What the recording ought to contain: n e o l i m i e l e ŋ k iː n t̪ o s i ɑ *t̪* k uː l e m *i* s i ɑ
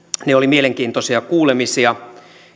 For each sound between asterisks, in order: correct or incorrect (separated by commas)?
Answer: incorrect, correct